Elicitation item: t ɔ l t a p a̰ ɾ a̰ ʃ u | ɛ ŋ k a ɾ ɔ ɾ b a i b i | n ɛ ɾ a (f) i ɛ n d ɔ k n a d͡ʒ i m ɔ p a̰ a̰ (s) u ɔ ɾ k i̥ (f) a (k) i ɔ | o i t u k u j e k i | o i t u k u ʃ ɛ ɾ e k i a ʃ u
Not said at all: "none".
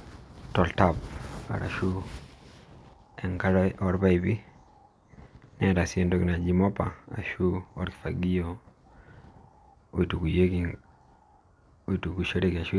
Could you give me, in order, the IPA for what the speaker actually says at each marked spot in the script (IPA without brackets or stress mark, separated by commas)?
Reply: s, ʃ, f, ɡ